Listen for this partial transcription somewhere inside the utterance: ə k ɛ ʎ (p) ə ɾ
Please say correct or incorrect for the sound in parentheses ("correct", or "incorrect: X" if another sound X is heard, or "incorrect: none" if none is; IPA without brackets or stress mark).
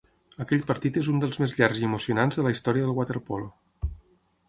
correct